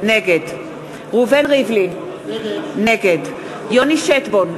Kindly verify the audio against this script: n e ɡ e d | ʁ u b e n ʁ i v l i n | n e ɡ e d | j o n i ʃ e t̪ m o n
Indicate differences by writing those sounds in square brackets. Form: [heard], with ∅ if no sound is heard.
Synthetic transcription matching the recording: n e ɡ e d | ʁ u [v] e n ʁ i v l i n | n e ɡ e d | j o n i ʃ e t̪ [b] o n